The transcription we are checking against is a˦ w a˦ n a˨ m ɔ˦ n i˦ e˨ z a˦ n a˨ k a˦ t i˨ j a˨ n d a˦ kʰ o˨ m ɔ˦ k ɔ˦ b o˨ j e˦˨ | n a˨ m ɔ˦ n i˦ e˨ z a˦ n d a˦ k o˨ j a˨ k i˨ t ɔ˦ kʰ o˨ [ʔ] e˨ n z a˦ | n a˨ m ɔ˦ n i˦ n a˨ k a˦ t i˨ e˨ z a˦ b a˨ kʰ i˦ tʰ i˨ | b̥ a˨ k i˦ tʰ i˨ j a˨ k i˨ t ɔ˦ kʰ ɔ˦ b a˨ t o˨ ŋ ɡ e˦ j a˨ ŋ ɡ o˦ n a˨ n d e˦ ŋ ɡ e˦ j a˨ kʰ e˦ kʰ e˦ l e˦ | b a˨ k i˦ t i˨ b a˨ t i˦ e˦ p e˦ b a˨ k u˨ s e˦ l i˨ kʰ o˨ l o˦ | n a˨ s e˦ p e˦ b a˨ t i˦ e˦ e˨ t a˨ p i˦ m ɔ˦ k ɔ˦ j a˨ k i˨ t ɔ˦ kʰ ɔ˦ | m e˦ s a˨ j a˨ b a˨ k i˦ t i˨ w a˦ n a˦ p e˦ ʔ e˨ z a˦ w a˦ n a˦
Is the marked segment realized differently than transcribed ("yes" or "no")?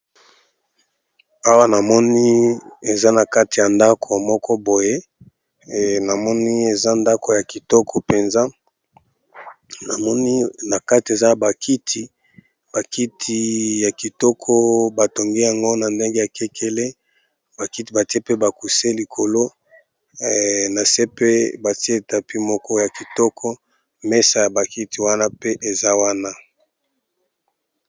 yes